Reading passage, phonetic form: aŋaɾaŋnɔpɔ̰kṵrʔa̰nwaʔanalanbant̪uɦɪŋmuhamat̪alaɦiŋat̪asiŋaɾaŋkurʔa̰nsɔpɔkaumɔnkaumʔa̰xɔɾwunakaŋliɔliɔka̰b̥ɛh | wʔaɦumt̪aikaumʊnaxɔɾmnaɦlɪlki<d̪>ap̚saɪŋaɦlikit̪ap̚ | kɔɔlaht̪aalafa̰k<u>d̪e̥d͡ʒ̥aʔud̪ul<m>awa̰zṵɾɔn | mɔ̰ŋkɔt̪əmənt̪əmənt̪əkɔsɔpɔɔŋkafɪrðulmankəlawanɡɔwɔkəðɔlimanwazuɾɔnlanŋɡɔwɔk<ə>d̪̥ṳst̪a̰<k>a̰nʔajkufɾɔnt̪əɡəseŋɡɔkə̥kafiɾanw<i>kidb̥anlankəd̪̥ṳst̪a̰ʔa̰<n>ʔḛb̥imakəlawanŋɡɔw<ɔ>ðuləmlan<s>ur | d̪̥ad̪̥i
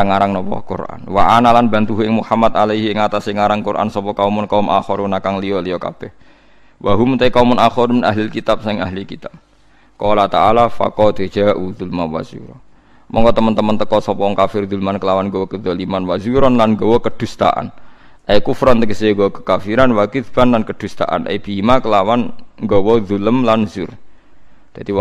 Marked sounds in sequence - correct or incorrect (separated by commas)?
incorrect, incorrect, correct, correct, incorrect, incorrect, correct, correct, incorrect